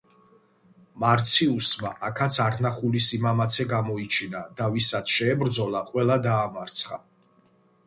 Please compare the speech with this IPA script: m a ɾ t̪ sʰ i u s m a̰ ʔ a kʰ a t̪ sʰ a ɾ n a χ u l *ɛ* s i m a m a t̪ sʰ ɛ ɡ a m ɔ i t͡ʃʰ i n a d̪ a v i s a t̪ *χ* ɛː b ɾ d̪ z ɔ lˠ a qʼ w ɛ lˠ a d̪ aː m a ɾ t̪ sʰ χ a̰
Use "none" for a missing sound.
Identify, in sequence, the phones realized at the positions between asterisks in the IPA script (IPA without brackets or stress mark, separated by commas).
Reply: i, ʃ